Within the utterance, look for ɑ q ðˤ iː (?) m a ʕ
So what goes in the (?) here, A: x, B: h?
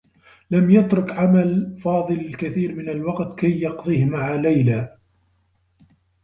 B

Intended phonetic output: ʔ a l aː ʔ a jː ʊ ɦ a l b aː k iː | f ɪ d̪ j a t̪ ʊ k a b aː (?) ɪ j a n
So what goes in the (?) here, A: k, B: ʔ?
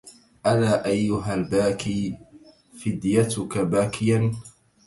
A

